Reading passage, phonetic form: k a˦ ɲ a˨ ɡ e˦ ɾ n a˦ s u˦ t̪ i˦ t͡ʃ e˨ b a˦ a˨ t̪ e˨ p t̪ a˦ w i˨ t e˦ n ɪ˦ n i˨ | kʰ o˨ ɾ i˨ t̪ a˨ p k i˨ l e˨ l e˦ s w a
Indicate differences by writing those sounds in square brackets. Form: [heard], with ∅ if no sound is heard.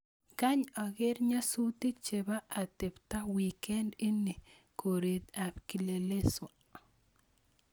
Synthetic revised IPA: k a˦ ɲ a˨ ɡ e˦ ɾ [ɲ] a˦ s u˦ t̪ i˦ t͡ʃ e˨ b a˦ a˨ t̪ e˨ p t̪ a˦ w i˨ [k] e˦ n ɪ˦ n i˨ | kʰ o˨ ɾ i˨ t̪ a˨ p k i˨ l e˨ l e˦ s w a